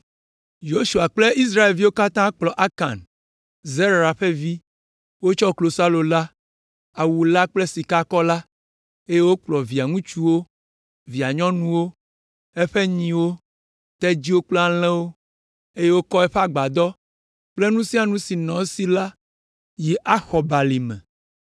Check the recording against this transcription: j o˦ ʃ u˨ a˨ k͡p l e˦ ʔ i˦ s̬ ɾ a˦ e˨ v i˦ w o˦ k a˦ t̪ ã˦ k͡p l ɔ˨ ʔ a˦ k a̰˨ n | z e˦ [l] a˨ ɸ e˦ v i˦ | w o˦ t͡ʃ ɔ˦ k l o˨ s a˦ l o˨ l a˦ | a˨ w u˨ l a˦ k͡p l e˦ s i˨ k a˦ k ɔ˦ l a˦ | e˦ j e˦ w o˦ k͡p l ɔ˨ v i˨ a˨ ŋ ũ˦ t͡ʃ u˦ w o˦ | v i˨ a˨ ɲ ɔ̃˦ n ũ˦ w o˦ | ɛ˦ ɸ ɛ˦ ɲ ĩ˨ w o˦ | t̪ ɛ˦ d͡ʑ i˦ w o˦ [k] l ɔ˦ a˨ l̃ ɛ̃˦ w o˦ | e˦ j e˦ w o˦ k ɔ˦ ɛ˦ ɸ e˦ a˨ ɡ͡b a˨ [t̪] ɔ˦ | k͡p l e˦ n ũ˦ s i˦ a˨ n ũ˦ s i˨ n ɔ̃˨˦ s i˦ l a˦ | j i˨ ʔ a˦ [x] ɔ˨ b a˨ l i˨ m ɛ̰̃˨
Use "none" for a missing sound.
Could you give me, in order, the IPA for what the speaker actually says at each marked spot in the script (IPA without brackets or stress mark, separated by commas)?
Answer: ɾ, k͡p, d̪, x